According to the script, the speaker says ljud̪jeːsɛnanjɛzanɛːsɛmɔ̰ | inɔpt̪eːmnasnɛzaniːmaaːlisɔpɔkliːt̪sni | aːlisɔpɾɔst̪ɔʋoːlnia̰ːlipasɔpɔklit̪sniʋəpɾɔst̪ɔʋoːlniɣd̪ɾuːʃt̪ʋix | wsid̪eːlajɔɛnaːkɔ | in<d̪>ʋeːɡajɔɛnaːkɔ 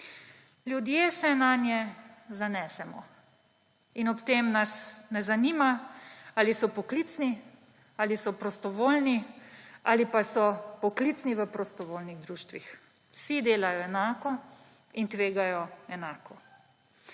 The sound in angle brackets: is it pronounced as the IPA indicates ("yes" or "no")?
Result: no